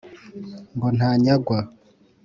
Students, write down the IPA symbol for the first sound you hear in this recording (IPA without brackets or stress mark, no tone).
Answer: ŋ